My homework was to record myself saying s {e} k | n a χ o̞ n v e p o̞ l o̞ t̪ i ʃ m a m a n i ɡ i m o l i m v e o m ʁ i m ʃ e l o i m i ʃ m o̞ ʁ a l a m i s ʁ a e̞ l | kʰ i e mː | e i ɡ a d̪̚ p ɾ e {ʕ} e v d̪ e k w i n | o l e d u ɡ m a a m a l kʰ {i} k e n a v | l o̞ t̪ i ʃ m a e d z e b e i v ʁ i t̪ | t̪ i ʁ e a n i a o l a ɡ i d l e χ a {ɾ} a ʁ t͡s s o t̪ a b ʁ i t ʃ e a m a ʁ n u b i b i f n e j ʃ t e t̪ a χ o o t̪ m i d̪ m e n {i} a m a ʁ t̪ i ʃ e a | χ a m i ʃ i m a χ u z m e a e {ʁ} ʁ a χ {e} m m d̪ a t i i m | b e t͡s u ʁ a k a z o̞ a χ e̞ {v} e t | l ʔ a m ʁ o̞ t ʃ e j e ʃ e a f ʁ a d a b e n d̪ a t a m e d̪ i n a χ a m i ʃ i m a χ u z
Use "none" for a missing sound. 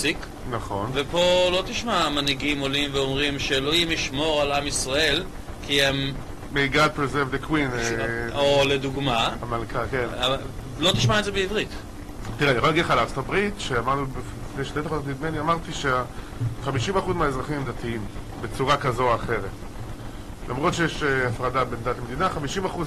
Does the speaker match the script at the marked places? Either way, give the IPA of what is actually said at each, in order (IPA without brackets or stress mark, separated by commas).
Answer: i, z, a, l, i, z, i, ʁ